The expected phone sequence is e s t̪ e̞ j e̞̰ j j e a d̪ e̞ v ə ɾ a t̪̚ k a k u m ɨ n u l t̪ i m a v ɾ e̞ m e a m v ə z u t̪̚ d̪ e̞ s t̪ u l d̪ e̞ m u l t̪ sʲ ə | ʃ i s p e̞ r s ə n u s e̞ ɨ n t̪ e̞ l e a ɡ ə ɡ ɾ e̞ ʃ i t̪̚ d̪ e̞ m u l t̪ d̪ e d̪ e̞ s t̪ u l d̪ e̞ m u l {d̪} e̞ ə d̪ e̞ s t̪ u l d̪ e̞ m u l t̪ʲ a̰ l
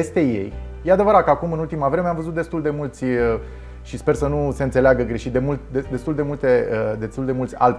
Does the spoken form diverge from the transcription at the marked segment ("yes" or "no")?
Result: yes